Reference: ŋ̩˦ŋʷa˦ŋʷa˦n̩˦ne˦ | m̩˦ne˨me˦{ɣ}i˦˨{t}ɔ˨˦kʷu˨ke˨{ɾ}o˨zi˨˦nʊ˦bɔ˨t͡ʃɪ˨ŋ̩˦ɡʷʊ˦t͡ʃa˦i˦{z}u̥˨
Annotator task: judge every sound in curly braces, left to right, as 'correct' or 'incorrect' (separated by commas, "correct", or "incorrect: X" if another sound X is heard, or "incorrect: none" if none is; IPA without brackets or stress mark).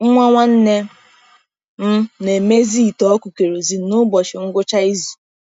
incorrect: z, correct, correct, correct